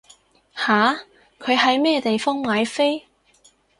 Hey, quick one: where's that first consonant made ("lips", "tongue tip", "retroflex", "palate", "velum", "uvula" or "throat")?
throat